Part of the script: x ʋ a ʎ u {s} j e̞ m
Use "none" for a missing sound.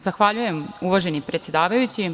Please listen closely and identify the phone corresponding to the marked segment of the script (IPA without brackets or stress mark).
none